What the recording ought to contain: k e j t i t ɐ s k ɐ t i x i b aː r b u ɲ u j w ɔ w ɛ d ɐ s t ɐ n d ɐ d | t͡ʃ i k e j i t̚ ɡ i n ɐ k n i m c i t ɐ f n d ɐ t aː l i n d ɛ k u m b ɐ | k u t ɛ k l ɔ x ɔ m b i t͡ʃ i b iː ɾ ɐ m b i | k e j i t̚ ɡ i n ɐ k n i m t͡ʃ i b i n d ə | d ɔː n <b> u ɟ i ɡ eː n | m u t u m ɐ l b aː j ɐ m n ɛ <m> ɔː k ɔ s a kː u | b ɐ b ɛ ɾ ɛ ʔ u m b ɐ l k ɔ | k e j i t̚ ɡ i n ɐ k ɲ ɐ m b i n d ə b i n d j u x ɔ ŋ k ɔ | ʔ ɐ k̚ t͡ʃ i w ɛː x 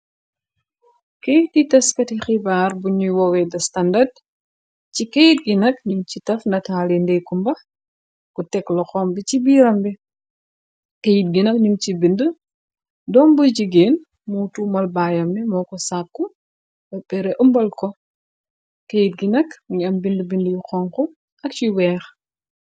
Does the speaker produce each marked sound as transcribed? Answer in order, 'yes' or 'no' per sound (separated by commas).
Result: yes, yes